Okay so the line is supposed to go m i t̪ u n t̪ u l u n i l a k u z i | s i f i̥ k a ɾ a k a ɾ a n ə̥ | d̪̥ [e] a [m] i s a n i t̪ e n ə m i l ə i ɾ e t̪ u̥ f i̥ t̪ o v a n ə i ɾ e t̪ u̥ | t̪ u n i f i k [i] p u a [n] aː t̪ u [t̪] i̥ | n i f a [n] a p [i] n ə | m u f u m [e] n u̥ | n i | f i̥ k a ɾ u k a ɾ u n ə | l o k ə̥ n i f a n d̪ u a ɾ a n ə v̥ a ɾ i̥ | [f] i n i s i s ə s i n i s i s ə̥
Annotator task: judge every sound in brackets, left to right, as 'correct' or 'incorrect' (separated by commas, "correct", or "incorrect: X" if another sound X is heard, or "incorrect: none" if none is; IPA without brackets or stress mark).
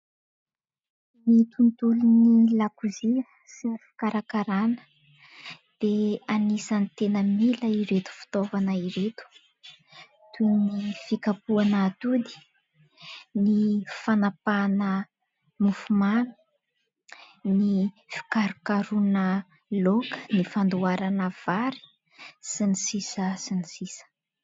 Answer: correct, incorrect: n, incorrect: a, correct, incorrect: d̪, correct, incorrect: a, incorrect: a, incorrect: s